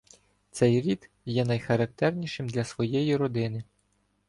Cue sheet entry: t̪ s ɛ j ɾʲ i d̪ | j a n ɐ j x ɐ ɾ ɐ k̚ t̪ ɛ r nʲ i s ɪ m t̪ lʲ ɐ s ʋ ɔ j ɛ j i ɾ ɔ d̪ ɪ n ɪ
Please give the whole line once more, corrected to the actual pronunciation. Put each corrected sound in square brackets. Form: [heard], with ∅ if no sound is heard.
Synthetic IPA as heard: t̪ s ɛ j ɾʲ i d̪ | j [ɛ] n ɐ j x ɐ ɾ ɐ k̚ t̪ ɛ r nʲ i [ʃ] ɪ m [d̪] lʲ ɐ s ʋ ɔ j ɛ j i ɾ ɔ d̪ ɪ n ɪ